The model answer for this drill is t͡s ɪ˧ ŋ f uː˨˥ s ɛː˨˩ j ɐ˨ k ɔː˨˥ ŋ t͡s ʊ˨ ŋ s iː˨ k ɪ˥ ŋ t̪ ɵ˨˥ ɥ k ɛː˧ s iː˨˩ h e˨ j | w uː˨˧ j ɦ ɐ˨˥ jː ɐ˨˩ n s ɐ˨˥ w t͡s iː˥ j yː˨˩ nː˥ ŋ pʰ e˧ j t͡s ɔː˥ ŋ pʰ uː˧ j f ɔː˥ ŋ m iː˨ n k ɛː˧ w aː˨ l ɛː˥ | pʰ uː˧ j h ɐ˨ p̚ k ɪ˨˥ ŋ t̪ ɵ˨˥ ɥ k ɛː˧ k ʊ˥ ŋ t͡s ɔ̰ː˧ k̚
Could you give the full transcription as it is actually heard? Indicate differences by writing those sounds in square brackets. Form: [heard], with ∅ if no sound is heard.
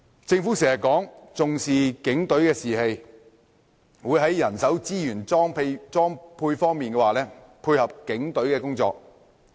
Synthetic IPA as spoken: t͡s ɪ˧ ŋ f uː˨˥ s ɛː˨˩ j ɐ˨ k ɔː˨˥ ŋ t͡s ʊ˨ ŋ s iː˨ k [ɪ˨˥] ŋ t̪ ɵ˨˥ ɥ k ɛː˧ s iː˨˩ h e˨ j | w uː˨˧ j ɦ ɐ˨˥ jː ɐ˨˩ n s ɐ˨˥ w t͡s iː˥ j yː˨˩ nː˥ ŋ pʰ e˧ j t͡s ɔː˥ ŋ pʰ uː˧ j f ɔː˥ ŋ m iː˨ n k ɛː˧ w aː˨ l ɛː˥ | pʰ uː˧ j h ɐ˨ p̚ k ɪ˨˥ ŋ t̪ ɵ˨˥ ɥ k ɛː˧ k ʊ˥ ŋ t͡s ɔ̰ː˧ k̚

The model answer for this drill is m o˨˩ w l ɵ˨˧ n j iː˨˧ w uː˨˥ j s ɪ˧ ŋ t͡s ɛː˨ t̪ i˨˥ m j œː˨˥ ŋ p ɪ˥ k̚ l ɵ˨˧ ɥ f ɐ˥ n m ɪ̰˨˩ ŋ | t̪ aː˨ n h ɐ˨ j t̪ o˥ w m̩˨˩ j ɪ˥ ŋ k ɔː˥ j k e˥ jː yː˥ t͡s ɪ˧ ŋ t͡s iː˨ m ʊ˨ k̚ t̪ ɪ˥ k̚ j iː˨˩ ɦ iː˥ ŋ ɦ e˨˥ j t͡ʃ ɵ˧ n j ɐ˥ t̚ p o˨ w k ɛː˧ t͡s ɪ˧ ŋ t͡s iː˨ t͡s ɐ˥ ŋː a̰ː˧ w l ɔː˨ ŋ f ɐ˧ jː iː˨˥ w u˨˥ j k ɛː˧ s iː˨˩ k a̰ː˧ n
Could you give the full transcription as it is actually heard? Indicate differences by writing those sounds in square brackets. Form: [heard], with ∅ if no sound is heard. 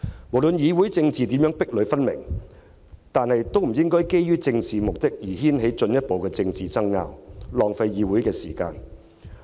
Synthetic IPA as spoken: m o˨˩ w l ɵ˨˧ n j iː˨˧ w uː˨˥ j [t͡s] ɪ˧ ŋ t͡s [iː˨] t̪ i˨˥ m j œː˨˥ ŋ p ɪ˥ k̚ l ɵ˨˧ ɥ f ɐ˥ n m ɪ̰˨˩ ŋ | t̪ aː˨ n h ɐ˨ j t̪ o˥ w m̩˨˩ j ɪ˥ ŋ k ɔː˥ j k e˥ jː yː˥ t͡s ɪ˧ ŋ t͡s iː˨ m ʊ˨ k̚ t̪ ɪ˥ k̚ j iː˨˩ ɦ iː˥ [n] ɦ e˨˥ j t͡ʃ ɵ˧ n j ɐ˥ t̚ p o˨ w k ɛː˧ t͡s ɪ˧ ŋ t͡s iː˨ t͡s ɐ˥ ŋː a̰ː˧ w l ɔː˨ ŋ f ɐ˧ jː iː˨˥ w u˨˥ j k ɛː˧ s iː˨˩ k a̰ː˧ n

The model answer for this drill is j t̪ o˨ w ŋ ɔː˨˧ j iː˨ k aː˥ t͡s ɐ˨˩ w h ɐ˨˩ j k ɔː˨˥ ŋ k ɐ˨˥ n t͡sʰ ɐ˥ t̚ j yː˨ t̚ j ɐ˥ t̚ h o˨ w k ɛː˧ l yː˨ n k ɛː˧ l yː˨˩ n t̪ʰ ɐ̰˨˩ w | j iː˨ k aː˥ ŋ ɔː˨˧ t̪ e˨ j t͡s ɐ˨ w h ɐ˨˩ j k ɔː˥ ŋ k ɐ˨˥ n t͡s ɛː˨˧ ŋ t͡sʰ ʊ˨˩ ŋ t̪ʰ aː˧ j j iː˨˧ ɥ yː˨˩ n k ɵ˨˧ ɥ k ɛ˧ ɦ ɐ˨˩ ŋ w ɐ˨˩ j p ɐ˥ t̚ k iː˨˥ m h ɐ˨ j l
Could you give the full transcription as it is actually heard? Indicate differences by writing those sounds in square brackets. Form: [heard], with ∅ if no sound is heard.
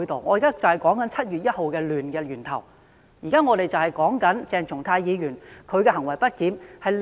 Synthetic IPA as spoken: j t̪ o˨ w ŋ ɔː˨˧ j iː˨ k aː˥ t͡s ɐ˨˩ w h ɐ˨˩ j k ɔː˨˥ ŋ k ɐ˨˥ n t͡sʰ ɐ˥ t̚ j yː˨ t̚ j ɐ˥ t̚ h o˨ w k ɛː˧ l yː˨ n k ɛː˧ l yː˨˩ n t̪ʰ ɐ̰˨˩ w | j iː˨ k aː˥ ŋ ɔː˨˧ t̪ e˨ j t͡s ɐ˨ w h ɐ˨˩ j k [ɔː˨˥] ŋ k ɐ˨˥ n t͡s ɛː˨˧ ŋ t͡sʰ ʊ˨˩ ŋ t̪ʰ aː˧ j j iː˨˧ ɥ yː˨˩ n [kʰ] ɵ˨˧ ɥ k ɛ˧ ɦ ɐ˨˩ ŋ w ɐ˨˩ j p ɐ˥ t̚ k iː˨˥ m h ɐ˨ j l

